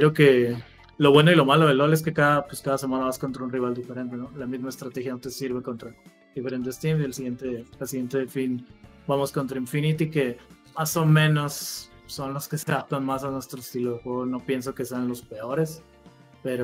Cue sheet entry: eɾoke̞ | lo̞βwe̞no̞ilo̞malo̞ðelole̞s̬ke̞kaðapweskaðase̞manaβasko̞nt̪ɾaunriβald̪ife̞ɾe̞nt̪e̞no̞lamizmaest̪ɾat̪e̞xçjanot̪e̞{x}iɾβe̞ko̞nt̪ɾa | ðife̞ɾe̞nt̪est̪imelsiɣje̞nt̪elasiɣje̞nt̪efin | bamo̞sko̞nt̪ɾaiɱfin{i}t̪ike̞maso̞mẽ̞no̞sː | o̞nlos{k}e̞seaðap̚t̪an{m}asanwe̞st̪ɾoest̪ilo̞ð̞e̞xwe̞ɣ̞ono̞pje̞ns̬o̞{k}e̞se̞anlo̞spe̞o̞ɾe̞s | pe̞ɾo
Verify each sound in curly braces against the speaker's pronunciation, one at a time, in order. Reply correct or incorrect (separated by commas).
incorrect, correct, correct, correct, correct